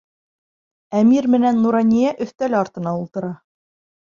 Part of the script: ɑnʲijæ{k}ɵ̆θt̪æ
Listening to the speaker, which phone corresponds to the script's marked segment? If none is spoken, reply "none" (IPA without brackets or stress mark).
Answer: ʔ